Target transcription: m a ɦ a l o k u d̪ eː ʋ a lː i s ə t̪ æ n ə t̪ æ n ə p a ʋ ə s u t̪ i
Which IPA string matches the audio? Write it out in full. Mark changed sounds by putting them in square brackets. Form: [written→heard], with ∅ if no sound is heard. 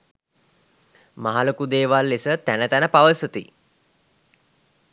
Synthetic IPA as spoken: m a ɦ a l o k u d̪ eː ʋ a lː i s ə t̪ æ n ə t̪ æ n ə p a ʋ ə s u t̪ i